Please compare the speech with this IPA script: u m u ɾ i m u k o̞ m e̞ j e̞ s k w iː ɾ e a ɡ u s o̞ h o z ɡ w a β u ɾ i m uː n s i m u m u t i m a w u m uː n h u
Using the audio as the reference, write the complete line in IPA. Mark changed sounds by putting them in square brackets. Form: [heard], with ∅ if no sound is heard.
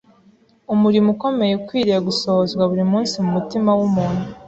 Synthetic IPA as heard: u m u ɾ i m u k o̞ m e̞ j e̞ [∅] k w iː ɾ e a ɡ u s o̞ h o z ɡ w a β u ɾ i m uː n s i m u m u t i m a w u m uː n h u